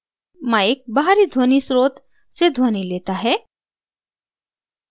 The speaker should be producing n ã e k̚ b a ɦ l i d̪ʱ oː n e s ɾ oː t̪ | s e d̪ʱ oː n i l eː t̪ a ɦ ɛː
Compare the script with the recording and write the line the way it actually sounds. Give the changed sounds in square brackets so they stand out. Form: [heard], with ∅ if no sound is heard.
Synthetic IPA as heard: [m] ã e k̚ b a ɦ [ɾ] i d̪ʱ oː n [i] s ɾ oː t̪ | s e d̪ʱ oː n i l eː t̪ a ɦ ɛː